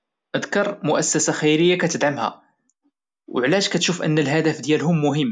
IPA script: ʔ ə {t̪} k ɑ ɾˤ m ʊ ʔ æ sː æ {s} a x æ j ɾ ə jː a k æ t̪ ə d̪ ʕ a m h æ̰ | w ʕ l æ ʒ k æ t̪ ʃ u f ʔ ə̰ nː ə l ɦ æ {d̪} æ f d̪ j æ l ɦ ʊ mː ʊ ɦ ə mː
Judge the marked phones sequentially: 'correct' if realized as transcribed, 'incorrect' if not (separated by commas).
incorrect, correct, correct